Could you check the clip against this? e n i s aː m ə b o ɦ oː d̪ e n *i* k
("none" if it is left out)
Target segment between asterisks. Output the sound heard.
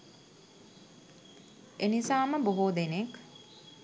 e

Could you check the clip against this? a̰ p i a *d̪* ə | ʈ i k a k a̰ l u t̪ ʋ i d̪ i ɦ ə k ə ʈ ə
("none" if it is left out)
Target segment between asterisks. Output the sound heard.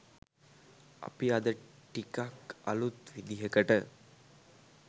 d̪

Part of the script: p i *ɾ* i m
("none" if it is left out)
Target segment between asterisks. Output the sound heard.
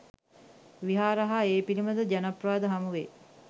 l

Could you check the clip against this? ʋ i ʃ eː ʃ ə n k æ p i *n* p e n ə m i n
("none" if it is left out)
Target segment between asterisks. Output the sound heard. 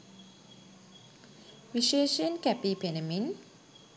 none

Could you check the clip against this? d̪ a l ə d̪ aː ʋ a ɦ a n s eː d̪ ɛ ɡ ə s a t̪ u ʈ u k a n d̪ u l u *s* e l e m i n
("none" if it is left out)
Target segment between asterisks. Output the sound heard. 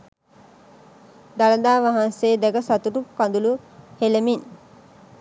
h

